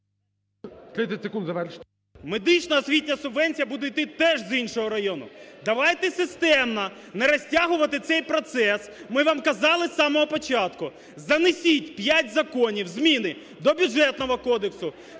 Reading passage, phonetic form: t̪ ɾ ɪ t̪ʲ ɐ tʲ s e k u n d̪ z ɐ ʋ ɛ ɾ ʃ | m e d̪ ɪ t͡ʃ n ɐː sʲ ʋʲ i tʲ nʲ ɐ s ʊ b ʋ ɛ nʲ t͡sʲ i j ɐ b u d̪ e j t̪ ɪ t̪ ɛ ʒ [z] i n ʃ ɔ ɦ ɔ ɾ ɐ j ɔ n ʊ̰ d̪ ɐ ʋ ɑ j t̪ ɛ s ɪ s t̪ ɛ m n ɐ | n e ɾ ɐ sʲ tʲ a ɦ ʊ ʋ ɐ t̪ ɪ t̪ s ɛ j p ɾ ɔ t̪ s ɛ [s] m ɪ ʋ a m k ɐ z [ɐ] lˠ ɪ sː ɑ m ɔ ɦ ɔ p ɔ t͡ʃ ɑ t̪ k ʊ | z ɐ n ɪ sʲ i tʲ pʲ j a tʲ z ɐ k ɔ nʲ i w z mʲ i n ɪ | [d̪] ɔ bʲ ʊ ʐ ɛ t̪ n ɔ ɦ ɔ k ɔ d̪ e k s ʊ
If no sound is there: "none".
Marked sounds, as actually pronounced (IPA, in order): z, s, ɑ, d̪

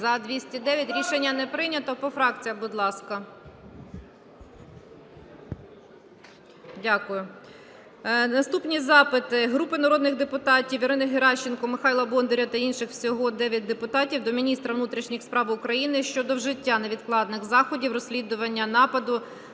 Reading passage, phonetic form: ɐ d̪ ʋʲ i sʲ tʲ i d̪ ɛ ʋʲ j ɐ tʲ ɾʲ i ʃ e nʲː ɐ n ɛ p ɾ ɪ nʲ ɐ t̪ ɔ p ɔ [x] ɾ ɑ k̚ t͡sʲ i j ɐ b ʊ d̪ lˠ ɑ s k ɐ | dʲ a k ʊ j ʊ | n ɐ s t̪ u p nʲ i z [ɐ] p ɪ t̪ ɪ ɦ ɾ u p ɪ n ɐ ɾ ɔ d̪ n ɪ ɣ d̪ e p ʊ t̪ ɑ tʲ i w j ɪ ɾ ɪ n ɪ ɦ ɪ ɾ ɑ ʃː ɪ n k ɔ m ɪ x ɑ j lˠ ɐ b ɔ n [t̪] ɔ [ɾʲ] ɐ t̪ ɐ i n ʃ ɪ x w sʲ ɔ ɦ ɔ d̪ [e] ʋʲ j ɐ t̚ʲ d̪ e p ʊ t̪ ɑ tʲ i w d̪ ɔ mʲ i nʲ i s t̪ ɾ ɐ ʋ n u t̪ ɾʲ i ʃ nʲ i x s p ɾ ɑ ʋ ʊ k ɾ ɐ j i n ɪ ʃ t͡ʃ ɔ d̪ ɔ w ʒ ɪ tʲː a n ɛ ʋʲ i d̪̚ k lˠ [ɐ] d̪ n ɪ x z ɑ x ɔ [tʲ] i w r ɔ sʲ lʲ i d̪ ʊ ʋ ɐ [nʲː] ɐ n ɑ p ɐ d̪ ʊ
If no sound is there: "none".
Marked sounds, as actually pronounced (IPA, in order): f, ɑ, d̪, ɾʲ, ɛ, ɑ, dʲ, nʲː

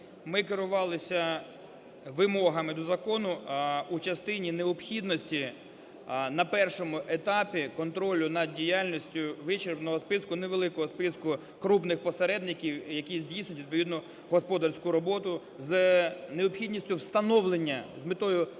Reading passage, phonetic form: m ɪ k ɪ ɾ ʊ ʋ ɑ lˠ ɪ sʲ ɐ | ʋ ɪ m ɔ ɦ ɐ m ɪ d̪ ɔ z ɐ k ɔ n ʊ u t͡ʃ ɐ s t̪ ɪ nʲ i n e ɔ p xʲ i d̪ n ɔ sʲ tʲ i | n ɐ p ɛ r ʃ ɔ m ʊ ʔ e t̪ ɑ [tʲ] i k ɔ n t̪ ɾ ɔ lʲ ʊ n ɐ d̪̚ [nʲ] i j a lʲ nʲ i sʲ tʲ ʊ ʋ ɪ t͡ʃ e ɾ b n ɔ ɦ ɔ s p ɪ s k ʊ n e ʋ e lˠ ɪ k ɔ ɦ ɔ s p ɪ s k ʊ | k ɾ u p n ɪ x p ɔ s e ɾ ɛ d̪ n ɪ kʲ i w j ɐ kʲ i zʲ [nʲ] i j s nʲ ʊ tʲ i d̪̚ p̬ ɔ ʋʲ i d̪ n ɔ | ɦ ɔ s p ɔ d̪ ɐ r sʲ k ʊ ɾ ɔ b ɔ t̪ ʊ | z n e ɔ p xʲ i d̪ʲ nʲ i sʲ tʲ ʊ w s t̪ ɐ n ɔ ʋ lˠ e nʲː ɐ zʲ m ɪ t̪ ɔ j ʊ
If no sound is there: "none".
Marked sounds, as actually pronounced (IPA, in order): pʲ, dʲ, dʲ

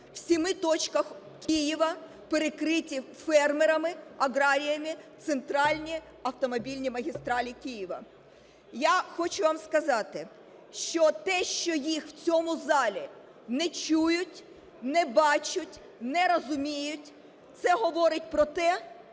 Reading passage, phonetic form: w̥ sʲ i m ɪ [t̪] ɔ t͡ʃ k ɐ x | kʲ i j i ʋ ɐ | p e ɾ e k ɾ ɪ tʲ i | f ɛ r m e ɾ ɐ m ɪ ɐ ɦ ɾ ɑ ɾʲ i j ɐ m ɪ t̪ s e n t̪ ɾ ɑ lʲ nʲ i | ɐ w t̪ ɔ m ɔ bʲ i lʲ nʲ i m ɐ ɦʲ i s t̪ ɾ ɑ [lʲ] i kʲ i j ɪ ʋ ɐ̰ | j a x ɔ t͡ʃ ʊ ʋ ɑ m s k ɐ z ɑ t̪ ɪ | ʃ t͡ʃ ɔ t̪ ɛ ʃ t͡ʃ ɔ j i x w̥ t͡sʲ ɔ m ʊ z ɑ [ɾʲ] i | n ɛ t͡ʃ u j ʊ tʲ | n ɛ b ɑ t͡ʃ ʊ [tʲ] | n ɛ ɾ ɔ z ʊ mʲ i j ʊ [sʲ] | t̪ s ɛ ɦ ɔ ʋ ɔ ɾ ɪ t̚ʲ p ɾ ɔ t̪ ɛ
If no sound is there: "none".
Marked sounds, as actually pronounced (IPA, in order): t̪, lʲ, lʲ, tʲ, tʲ

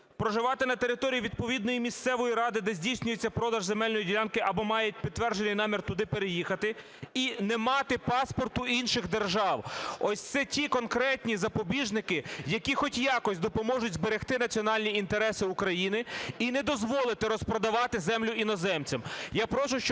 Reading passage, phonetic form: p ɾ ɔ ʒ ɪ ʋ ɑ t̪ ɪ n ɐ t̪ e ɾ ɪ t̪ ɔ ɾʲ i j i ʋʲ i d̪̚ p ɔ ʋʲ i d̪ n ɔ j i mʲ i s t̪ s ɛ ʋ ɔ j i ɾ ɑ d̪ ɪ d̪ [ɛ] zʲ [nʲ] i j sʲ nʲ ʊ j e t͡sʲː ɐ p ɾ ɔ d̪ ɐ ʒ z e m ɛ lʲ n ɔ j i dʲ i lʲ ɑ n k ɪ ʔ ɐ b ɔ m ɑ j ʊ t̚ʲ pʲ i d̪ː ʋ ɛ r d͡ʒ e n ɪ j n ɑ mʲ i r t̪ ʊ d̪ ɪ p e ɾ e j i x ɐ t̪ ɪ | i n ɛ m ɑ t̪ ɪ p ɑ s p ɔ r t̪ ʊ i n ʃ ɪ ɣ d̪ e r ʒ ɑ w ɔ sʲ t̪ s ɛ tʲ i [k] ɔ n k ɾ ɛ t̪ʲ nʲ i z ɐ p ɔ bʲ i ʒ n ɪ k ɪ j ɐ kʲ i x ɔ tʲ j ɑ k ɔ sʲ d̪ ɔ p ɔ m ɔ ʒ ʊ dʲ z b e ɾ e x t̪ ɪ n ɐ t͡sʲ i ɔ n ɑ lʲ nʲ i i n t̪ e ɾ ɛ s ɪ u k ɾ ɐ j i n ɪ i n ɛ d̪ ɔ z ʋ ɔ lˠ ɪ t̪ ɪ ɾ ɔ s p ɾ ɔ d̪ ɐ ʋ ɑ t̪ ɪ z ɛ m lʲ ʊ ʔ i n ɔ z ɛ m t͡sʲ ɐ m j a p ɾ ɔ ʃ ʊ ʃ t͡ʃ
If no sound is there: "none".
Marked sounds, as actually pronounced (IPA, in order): ɛ, dʲ, k

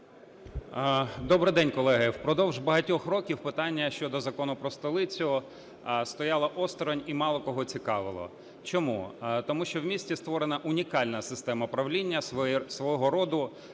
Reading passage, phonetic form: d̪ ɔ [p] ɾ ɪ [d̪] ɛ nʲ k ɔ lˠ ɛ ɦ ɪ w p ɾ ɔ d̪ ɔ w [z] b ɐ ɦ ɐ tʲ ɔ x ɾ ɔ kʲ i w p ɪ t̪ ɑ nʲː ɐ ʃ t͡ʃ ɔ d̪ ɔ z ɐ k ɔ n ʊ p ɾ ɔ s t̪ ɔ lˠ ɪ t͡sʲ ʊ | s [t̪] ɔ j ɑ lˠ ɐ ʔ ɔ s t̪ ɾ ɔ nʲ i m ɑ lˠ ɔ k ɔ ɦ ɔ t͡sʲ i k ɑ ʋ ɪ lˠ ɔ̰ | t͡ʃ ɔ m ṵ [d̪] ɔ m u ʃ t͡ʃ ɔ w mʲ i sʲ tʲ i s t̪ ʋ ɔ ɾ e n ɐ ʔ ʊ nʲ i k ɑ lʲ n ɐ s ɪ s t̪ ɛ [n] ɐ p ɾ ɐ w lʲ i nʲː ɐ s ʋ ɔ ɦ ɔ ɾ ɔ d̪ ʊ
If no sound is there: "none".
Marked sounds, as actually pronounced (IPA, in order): b, d̪, ʒ, t̪, t̪, m

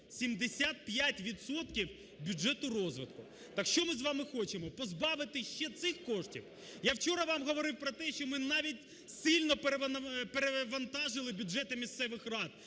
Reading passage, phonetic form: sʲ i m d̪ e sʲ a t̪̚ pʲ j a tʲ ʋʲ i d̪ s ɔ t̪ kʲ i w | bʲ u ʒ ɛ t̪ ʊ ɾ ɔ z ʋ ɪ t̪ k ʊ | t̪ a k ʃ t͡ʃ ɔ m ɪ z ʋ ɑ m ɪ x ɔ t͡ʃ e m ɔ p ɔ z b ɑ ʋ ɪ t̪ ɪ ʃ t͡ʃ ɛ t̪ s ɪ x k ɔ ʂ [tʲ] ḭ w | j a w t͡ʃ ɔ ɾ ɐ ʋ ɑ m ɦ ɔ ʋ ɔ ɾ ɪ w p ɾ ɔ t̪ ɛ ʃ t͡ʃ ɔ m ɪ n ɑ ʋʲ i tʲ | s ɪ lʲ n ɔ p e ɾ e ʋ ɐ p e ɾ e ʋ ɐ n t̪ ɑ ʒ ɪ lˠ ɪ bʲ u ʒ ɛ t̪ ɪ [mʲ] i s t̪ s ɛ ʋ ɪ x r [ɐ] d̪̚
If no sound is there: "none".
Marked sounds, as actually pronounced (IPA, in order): tʲ, mʲ, ɑ

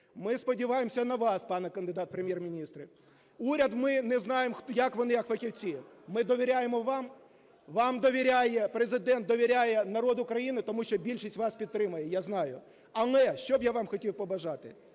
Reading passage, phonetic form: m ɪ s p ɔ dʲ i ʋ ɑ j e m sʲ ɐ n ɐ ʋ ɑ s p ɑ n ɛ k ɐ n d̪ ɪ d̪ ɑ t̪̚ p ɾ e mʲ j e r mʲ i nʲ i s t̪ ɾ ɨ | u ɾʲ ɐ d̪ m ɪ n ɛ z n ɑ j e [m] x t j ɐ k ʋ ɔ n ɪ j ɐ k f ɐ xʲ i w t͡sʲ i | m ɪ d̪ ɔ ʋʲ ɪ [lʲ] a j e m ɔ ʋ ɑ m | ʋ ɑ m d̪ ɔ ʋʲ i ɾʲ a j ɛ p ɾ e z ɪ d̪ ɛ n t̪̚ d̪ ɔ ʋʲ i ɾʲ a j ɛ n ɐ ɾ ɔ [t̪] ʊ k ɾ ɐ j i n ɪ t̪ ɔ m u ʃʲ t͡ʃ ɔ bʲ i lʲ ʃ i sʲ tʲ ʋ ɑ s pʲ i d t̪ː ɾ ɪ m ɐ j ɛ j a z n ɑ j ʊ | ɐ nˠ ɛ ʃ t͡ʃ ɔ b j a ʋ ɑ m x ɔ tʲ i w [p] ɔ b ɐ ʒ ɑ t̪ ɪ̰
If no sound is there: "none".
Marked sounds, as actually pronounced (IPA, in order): m, ɾʲ, d̪, p

